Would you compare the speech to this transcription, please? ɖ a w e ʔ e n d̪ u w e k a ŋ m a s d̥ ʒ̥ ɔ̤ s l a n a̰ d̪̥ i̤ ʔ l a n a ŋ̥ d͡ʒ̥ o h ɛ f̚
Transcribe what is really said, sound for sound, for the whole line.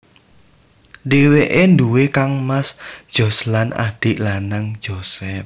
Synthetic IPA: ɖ e w e ʔ e n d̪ u w e k a ŋ m a s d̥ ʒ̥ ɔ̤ s l a n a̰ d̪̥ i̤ ʔ l a n a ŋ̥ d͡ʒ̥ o s ɛ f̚